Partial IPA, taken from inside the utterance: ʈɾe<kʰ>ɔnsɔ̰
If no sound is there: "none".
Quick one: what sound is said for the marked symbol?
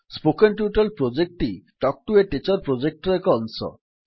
k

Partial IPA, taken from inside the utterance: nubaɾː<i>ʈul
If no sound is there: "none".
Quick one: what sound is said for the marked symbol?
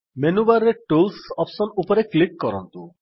e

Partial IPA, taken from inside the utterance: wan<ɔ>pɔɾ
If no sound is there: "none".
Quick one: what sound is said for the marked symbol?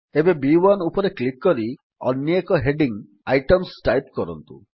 u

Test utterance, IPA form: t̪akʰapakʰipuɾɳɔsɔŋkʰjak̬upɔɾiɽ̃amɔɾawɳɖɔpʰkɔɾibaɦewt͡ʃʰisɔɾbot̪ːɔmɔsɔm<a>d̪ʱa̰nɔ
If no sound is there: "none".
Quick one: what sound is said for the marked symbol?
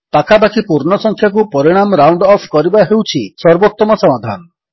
a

